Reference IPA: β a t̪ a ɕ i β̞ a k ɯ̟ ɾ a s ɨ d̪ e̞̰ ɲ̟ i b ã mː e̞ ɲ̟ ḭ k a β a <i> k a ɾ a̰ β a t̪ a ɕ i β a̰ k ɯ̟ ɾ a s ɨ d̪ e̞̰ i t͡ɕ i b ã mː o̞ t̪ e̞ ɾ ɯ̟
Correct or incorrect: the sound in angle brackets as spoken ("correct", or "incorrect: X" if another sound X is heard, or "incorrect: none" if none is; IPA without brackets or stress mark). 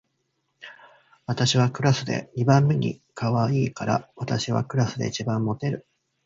incorrect: iː